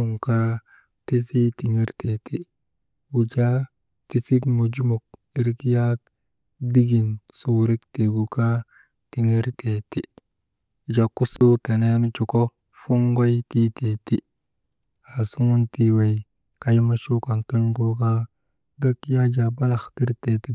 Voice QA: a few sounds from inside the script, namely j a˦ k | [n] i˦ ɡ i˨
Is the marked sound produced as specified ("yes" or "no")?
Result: no